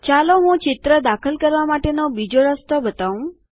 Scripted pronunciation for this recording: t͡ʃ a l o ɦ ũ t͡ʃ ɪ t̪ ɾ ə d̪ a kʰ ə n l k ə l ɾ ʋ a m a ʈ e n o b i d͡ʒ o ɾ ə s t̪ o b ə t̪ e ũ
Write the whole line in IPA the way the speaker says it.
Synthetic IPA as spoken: t͡ʃ a l o ɦ ũ t͡ʃ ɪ t̪ ɾ ə d̪ a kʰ ə l k ə ɾ ʋ a m a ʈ e n o b i d͡ʒ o ɾ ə s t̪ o b ə t̪ a ũ